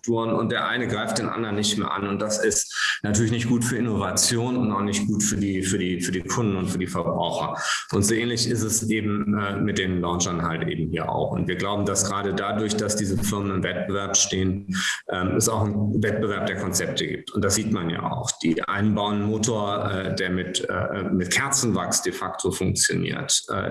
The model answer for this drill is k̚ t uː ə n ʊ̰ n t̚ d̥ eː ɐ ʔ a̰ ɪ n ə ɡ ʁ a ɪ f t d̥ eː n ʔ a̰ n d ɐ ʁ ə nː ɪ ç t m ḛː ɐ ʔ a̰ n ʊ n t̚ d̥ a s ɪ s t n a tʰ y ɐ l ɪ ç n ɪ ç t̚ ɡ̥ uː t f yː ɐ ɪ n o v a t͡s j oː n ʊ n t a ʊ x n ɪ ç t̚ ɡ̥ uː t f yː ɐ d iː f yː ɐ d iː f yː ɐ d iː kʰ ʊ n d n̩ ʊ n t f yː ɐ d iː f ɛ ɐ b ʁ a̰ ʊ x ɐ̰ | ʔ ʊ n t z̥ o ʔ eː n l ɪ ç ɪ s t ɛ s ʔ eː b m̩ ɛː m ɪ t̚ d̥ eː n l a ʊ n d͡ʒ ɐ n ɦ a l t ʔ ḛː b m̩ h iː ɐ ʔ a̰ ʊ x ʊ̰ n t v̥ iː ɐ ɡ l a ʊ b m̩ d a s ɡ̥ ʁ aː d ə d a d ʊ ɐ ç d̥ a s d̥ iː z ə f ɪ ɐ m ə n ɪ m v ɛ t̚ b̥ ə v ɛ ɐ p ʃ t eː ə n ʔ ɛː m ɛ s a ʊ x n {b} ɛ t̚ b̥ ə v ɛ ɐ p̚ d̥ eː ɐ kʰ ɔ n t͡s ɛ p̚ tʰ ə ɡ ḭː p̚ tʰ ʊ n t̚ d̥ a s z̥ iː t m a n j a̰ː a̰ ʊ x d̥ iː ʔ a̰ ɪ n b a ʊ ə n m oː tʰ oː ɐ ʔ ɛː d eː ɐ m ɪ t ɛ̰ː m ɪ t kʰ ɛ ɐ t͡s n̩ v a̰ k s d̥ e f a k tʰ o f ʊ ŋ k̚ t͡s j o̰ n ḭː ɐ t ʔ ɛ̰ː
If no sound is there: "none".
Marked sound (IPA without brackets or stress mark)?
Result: v